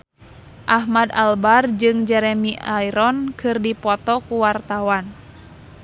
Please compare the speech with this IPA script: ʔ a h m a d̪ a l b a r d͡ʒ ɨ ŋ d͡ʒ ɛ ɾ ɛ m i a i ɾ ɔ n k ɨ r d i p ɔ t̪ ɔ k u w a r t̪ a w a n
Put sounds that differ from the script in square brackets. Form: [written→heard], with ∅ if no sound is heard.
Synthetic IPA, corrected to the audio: ʔ a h m a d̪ a l b a r d͡ʒ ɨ ŋ d͡ʒ ɛ ɾ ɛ m i a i ɾ ɔ n k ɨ r d i p ɔ t̪ ɔ k u w a r t̪ a w a n